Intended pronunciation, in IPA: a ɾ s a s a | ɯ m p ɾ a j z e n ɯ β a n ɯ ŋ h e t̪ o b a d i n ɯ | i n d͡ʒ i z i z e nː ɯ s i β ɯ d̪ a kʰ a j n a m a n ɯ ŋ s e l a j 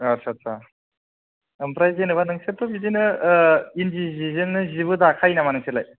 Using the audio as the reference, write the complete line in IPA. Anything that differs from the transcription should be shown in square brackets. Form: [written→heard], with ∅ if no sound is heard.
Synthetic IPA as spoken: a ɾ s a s a | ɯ m p ɾ a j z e n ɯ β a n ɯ ŋ [h→s] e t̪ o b [a→i] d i n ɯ | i n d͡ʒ i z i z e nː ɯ [s→z] i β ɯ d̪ a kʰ a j n a m a n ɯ ŋ s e l a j